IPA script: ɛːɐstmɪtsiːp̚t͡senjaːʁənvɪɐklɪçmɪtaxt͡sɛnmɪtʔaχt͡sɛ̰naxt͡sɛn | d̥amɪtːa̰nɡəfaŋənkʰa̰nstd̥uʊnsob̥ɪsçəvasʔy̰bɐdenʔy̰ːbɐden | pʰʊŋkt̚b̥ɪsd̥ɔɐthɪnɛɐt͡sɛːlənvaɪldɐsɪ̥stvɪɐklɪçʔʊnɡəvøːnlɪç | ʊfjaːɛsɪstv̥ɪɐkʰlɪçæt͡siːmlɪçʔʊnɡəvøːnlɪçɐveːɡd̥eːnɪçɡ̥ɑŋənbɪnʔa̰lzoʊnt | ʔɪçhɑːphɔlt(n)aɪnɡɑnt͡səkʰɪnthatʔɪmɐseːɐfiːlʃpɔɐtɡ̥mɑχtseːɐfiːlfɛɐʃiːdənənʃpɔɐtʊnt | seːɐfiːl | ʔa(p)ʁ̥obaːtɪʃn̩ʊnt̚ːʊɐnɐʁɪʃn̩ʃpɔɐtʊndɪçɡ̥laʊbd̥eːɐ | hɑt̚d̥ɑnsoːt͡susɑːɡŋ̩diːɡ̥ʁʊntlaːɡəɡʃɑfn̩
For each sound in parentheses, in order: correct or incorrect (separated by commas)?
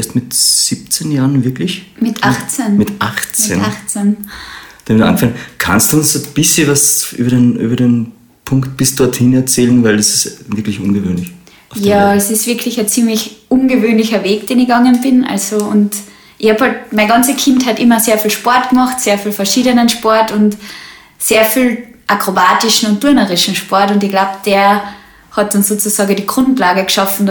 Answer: incorrect, incorrect